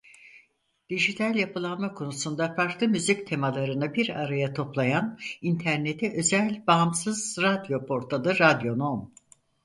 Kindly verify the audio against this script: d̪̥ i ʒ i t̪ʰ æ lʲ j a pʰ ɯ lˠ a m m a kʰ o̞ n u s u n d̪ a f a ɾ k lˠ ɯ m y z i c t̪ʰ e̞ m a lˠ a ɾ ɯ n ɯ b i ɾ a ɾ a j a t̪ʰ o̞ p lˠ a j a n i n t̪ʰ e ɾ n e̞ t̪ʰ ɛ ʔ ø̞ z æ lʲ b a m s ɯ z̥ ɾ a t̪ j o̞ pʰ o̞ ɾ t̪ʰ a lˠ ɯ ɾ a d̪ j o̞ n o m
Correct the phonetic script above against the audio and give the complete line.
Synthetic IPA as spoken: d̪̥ i ʒ i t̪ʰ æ lʲ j a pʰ ɯ lˠ a n m a kʰ o̞ n u s u n d̪ a f a ɾ k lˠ ɯ m y z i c t̪ʰ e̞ m a lˠ a ɾ ɯ n ɯ b i ɾ a ɾ a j a t̪ʰ o̞ p lˠ a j a n i n t̪ʰ æ ɾ n e̞ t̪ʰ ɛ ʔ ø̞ z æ lʲ b a m s ɯ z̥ ɾ a d̪ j o̞ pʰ o̞ ɾ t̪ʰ a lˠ ɯ ɾ a d̪ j o̞ n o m